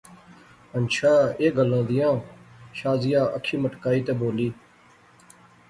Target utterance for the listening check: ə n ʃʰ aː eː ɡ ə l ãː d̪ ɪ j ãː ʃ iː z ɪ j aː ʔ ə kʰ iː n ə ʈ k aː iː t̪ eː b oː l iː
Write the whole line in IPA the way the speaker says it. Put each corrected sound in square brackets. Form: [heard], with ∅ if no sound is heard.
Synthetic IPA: ə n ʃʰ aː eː ɡ ə l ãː d̪ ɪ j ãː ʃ [aː] z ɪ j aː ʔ ə kʰ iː [m] ə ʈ k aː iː t̪ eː b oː l iː

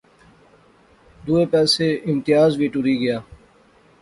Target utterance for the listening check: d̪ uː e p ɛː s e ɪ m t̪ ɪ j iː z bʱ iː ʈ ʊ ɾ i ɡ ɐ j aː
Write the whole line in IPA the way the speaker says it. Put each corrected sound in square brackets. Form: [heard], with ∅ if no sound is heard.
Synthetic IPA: d̪ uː e p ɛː s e ɪ m t̪ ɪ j [aː] z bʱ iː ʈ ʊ ɾ i ɡ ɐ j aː

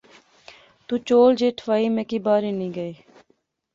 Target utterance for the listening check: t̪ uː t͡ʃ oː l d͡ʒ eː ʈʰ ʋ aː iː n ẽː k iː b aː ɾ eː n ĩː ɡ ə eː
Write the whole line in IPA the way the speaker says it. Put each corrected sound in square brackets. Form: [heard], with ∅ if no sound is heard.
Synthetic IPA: t̪ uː t͡ʃ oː l d͡ʒ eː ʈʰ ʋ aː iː [m] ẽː k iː b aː ɾ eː n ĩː ɡ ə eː

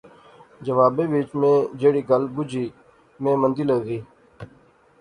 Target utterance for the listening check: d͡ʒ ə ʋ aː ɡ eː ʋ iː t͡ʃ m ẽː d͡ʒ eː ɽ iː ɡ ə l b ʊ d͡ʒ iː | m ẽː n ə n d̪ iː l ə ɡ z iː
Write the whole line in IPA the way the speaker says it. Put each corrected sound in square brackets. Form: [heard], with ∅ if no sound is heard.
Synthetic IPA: d͡ʒ ə ʋ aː [b] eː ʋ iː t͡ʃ m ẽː d͡ʒ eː ɽ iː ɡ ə l b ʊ d͡ʒ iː | m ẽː [m] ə n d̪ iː l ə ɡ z iː

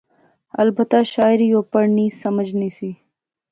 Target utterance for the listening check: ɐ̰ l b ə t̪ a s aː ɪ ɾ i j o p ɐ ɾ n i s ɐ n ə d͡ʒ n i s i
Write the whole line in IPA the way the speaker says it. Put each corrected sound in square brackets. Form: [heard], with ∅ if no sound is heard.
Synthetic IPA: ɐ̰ l b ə t̪ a [ʃ] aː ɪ ɾ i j o p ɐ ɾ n i s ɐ [m] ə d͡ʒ n i s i

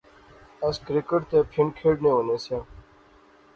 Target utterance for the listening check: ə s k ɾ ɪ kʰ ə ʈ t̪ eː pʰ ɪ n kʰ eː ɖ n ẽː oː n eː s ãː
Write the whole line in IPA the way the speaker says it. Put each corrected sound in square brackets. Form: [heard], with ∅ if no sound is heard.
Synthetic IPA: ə s k ɾ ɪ [k] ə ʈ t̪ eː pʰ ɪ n kʰ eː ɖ n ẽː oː n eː s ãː

